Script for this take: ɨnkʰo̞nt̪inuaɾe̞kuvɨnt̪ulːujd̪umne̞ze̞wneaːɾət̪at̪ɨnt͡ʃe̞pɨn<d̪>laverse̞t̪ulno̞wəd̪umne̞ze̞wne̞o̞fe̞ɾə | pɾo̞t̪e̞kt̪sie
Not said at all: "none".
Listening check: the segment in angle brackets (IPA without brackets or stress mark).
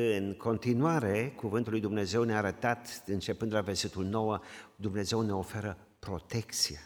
d̪